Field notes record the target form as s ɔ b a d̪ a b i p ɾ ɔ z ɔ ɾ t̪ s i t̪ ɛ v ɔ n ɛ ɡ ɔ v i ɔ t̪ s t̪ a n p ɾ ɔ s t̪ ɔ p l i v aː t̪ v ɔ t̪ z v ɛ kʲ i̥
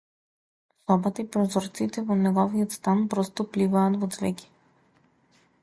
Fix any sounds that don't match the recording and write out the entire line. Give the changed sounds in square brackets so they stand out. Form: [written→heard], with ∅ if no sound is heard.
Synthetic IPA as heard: s ɔ b a [d̪→t̪] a [b→∅] i p ɾ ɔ z ɔ ɾ t̪ s i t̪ ɛ v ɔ n ɛ ɡ ɔ v i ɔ t̪ s t̪ a n p ɾ ɔ s t̪ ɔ p l i v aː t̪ v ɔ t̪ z v ɛ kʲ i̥